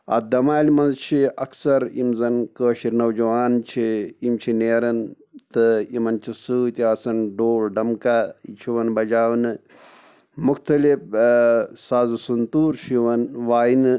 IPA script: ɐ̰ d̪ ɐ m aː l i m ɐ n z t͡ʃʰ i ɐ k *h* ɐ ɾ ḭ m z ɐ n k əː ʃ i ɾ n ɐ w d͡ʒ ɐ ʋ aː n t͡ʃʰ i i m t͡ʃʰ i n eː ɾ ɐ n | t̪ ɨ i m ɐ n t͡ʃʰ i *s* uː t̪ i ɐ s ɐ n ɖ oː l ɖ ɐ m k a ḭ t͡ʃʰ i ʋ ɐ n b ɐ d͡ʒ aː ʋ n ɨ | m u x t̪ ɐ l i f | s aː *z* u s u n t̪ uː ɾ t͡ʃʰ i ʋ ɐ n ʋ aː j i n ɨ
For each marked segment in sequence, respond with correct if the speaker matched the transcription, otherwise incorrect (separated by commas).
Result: incorrect, correct, correct